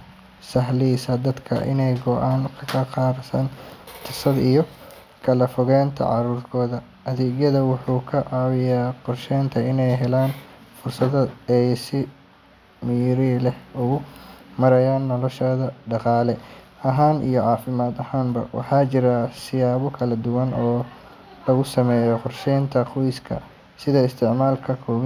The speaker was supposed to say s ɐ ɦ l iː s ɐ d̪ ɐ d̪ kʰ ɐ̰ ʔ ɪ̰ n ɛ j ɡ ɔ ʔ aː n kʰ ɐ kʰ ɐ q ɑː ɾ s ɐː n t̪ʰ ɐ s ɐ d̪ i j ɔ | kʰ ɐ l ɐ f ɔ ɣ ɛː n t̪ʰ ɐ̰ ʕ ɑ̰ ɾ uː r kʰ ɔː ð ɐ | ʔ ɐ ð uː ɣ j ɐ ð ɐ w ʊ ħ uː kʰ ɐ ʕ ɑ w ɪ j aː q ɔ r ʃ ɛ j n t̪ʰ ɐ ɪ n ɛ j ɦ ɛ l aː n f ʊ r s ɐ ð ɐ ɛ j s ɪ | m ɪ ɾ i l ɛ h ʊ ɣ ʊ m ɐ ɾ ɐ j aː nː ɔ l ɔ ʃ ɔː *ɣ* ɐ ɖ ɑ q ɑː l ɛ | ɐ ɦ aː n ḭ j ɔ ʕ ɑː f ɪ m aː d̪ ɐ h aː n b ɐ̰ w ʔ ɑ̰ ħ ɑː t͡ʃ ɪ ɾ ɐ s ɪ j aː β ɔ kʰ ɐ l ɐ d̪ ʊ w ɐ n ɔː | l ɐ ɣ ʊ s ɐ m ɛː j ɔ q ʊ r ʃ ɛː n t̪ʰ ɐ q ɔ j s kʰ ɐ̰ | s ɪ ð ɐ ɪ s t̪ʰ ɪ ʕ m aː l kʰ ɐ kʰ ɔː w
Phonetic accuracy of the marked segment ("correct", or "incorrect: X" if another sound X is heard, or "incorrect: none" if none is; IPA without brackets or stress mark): incorrect: ð